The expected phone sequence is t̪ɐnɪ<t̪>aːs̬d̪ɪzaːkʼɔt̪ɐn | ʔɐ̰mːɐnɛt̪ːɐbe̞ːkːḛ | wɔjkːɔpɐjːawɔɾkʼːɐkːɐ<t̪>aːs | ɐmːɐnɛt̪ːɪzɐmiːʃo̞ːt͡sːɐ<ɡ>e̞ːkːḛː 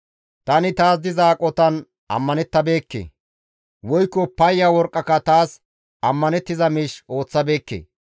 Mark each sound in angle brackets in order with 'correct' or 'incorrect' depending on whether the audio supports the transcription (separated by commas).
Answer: correct, correct, incorrect